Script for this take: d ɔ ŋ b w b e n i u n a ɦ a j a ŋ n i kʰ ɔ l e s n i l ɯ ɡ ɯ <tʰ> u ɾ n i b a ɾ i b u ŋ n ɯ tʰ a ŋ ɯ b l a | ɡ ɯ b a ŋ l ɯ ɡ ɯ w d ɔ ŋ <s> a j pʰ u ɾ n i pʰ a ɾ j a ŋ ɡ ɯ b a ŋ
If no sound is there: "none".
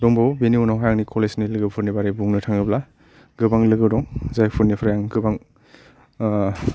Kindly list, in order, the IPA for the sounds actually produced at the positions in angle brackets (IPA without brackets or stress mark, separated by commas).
pʰ, z